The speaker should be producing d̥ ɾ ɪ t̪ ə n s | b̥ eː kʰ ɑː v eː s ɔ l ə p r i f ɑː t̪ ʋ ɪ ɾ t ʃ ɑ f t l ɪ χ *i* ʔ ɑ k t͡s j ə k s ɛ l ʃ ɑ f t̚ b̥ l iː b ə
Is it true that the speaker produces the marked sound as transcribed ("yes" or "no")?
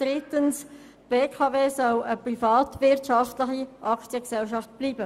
yes